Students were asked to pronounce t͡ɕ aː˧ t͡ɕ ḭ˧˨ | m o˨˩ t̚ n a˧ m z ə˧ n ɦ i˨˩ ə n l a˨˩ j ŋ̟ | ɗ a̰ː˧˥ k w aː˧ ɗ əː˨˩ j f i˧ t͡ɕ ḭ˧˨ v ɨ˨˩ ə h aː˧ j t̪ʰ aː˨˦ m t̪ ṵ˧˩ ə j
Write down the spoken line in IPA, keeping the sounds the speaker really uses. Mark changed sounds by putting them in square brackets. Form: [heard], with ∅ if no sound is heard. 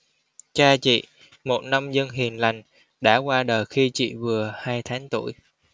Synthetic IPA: t͡ɕ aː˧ t͡ɕ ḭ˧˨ | m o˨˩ t̚ n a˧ m z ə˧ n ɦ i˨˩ ə n l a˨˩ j ŋ̟ | ɗ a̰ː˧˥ k w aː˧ ɗ əː˨˩ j [x] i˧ t͡ɕ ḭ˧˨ v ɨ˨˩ ə h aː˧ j t̪ʰ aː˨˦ [ŋ] t̪ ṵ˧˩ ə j

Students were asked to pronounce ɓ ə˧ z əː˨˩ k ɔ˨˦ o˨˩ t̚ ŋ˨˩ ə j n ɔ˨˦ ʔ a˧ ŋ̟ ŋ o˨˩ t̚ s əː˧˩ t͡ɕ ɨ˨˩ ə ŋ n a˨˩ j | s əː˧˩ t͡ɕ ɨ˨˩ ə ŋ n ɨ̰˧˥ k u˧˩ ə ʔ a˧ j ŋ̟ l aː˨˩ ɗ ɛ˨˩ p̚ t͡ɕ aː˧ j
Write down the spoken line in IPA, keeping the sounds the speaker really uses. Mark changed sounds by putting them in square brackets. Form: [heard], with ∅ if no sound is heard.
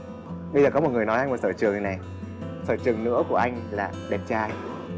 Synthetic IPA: ɓ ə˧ z əː˨˩ k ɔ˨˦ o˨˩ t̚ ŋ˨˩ ə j n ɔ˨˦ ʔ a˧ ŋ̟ [m] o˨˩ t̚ s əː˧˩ t͡ɕ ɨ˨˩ ə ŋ n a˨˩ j | s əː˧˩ t͡ɕ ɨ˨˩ ə ŋ n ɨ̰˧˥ k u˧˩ ə ʔ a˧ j ŋ̟ l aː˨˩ ɗ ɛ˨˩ p̚ t͡ɕ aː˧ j

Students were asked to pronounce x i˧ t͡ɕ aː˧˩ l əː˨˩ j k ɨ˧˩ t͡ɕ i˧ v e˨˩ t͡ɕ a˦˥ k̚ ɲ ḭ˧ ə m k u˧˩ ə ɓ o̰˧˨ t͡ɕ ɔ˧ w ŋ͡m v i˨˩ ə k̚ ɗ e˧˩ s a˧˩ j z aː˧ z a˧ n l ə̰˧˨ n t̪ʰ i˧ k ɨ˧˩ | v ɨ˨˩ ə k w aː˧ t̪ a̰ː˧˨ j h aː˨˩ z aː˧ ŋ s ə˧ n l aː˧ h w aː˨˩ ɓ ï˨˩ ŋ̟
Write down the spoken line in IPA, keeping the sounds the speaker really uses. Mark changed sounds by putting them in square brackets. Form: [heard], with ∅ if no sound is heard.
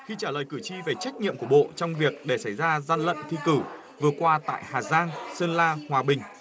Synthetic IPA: x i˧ t͡ɕ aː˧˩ l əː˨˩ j k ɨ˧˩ t͡ɕ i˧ v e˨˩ t͡ɕ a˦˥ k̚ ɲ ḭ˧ ə m k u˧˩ ə ɓ o̰˧˨ t͡ɕ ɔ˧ w ŋ͡m v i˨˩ ə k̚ ɗ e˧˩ s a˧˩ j z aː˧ z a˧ n l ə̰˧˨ n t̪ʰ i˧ k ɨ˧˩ | v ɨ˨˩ ə k w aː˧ t̪ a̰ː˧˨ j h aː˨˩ z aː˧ ŋ s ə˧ n l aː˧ h w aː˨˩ ɓ ï˨˩ ŋ̟

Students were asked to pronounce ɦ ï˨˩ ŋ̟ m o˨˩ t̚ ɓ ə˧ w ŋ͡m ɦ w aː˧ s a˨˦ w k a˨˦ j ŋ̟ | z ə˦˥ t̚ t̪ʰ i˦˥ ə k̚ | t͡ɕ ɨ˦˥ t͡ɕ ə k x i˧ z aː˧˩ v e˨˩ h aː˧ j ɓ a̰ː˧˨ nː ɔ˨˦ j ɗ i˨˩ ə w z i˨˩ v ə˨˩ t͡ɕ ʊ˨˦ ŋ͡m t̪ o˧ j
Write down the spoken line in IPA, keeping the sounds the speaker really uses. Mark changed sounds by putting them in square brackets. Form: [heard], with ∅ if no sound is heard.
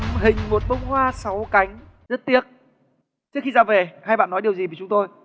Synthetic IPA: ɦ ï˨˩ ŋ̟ m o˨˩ t̚ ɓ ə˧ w ŋ͡m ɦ w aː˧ s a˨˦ w k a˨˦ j ŋ̟ | z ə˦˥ t̚ [t̪] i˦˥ ə k̚ | t͡ɕ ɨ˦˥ [∅] ə k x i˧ z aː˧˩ v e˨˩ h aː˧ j ɓ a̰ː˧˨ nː ɔ˨˦ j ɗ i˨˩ ə w z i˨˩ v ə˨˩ t͡ɕ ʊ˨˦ ŋ͡m t̪ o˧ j

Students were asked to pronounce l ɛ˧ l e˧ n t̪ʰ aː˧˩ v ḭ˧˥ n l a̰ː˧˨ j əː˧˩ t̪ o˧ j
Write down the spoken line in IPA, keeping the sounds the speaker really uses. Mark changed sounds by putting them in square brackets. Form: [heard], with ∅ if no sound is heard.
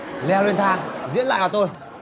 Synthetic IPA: l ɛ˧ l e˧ n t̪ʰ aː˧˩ [z] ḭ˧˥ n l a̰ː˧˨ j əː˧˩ t̪ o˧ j

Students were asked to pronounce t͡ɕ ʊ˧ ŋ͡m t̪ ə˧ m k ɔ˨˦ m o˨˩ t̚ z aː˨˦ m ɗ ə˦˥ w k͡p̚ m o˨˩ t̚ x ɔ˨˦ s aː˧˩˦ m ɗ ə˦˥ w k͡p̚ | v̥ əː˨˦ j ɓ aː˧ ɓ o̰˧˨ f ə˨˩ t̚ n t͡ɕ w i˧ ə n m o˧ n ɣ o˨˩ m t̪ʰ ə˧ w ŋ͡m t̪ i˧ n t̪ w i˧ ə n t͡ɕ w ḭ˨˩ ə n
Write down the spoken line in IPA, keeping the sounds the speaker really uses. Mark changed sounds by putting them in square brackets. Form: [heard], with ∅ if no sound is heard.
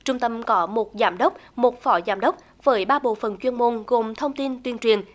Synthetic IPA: t͡ɕ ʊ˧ ŋ͡m t̪ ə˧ m k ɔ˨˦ m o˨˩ t̚ z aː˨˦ m ɗ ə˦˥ w k͡p̚ m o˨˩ t̚ [f] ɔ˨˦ [z] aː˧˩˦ m ɗ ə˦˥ w k͡p̚ | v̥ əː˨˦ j ɓ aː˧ ɓ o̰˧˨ f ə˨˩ [∅] n t͡ɕ w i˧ ə n m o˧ n ɣ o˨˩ m t̪ʰ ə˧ w ŋ͡m t̪ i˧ n t̪ w i˧ ə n t͡ɕ w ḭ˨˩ ə n

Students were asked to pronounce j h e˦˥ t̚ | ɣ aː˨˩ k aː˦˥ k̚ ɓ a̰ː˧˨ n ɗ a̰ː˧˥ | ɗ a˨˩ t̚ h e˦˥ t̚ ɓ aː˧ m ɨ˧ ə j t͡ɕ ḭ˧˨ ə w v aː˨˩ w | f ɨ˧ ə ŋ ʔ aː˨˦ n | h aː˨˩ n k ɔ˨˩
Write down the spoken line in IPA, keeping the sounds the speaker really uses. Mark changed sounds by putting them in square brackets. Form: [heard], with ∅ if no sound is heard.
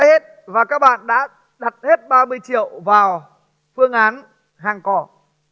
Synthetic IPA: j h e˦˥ t̚ | [v] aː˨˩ k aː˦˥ k̚ ɓ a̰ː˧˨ n ɗ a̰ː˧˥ | ɗ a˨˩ t̚ h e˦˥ t̚ ɓ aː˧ m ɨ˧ ə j t͡ɕ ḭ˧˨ ə w v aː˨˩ w | f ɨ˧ ə ŋ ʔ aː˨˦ n | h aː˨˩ [ŋ] k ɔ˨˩

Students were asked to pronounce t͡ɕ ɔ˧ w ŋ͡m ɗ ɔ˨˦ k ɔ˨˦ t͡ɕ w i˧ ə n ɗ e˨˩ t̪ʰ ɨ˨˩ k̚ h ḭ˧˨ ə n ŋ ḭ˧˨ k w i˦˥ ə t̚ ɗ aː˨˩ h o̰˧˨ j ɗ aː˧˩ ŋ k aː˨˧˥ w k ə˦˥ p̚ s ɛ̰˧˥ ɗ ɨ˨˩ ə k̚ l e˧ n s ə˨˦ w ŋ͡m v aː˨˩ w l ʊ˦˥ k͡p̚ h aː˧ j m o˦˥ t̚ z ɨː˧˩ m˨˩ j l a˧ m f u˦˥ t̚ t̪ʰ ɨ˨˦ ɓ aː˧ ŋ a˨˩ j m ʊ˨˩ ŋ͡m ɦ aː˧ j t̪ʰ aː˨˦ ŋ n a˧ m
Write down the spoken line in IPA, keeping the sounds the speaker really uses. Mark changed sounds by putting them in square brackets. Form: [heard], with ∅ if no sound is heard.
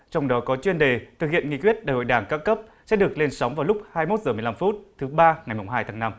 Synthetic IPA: t͡ɕ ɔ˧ w ŋ͡m ɗ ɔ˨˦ k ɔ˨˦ t͡ɕ w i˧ ə n ɗ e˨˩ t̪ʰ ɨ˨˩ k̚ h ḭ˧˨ ə n ŋ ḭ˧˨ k w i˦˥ ə t̚ ɗ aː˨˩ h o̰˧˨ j ɗ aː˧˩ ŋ k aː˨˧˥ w k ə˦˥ p̚ s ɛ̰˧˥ ɗ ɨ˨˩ ə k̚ l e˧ n s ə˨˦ w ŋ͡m v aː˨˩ w l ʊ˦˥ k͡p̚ h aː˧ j m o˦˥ t̚ z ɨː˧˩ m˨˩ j l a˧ m f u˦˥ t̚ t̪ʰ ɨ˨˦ ɓ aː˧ ŋ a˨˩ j m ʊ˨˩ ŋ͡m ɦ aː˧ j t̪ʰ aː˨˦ ŋ n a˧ m

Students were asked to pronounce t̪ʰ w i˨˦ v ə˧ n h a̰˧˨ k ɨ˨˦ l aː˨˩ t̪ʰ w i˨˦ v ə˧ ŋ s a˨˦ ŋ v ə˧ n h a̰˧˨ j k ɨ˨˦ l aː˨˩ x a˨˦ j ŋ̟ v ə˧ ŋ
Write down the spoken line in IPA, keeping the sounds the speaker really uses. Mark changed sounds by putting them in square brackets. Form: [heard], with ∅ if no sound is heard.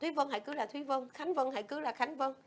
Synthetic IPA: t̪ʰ w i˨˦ v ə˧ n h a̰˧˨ k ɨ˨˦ l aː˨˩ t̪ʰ w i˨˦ v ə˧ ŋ [x] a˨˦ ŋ v ə˧ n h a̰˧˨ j k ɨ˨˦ l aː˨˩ x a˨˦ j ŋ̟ v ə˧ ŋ

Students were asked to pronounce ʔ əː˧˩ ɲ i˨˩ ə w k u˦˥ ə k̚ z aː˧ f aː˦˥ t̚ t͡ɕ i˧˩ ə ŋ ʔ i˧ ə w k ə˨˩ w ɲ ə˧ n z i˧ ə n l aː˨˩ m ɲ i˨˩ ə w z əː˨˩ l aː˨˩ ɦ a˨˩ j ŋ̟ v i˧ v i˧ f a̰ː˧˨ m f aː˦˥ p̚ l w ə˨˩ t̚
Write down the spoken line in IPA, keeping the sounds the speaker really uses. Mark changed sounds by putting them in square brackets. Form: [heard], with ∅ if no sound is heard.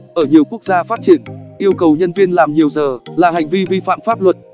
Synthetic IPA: ʔ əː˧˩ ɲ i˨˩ ə w k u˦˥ ə k̚ z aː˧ f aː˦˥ t̚ t͡ɕ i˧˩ ə [n] ʔ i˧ ə w k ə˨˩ w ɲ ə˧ n [v] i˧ ə n l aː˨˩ m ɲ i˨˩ ə w z əː˨˩ l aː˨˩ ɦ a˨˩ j ŋ̟ v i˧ v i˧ f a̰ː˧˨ m f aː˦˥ p̚ l w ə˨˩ t̚

